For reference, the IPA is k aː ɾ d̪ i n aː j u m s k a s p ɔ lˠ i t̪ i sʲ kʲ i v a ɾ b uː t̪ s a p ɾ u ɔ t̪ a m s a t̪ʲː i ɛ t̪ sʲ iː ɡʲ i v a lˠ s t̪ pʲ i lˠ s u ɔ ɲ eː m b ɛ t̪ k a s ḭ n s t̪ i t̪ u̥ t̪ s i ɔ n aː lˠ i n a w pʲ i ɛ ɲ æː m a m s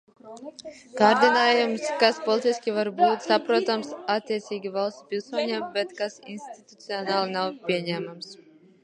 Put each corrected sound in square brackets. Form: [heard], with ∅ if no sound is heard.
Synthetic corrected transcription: k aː ɾ d̪ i n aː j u m s k a s p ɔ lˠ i t̪ i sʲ kʲ i v a ɾ b uː t̪ s a p ɾ u ɔ t̪ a m s a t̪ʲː i ɛ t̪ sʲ iː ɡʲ i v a lˠ s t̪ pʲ i lˠ s u ɔ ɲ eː m b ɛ t̪ k a s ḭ n s t̪ i t̪ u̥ t̪ s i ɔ n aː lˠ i n a w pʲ i ɛ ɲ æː m a m s